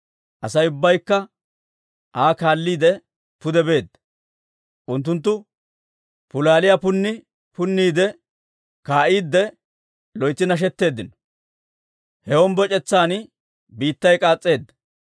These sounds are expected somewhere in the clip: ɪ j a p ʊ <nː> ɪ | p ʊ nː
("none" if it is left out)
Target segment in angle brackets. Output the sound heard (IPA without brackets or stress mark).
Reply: nː